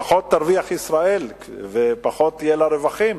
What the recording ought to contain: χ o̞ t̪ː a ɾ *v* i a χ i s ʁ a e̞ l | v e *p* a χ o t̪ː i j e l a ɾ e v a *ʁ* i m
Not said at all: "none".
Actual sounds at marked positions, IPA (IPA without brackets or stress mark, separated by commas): v, p, χ